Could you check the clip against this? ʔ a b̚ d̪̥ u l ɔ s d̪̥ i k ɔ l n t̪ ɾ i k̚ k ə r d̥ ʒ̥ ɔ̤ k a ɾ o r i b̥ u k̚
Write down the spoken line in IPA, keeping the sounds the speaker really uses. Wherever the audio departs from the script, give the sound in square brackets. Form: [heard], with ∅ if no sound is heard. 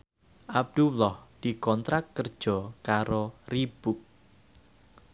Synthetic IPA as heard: ʔ a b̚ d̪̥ u l ɔ [h] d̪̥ i k ɔ [∅] n t̪ ɾ [a] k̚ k ə r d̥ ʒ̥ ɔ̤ k a ɾ o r i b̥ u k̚